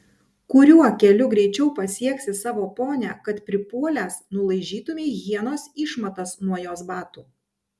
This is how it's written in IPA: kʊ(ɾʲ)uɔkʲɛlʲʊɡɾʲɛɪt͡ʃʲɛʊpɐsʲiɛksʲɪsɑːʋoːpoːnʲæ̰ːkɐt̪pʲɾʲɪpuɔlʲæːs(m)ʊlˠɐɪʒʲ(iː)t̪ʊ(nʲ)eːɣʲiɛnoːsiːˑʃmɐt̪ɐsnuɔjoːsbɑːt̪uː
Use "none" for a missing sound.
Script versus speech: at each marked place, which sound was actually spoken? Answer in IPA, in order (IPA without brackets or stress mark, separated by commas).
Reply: ɾʲ, n, iː, mʲ